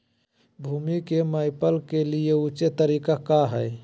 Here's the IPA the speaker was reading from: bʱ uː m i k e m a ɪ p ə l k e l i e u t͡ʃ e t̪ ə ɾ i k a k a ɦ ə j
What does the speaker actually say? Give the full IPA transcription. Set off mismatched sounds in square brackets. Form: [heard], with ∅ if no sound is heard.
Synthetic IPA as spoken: bʱ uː m i k e m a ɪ p ə l k e l i e u t͡ʃ e t̪ ə ɾ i k a k a ɦ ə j